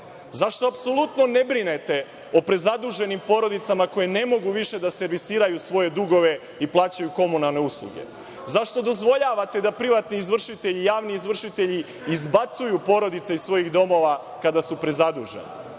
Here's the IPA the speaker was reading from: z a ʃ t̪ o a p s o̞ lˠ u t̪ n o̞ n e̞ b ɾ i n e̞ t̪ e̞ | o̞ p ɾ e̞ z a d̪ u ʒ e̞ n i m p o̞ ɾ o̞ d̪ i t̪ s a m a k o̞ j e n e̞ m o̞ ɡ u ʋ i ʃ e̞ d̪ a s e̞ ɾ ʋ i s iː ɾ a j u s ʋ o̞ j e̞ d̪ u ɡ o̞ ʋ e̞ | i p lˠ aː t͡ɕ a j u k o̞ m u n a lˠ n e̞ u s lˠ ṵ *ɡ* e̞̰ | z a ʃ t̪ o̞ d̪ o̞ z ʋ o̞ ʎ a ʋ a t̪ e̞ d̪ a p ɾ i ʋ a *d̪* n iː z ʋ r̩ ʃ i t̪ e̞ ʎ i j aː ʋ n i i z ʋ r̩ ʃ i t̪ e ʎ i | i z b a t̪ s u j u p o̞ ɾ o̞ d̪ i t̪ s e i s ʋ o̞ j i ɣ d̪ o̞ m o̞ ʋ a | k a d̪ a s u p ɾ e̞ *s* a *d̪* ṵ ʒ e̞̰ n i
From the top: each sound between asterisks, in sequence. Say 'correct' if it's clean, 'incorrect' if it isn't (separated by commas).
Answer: correct, incorrect, incorrect, correct